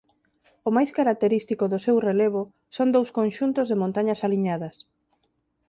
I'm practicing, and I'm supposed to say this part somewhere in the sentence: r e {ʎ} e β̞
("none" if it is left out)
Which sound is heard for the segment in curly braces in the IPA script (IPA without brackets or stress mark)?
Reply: l